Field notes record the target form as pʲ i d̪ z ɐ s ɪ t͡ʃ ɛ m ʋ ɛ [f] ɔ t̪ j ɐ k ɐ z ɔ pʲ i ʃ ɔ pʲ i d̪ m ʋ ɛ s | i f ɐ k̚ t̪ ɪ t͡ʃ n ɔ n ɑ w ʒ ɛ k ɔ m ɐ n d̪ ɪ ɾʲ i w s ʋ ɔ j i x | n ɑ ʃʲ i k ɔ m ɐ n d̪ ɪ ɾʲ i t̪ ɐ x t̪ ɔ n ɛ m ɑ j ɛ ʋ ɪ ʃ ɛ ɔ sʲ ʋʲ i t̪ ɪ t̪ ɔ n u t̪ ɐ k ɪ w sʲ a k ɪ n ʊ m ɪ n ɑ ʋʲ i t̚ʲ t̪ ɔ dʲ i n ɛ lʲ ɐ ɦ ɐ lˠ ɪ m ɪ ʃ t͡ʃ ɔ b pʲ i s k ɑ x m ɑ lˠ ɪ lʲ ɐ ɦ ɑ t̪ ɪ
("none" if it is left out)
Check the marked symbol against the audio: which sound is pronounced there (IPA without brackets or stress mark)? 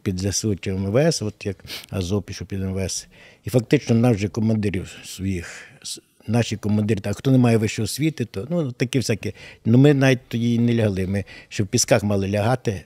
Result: s